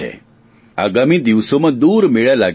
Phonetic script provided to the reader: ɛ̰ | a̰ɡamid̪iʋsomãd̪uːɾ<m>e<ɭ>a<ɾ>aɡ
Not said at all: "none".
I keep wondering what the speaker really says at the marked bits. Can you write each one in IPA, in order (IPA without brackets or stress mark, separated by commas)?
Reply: m, ɭ, l